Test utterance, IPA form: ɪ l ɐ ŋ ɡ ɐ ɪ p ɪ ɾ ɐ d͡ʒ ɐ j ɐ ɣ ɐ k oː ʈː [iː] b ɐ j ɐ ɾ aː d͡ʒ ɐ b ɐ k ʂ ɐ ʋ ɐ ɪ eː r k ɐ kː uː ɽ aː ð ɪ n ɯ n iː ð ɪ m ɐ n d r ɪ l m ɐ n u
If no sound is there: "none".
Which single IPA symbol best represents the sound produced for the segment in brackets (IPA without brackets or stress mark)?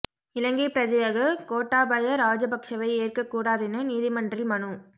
aː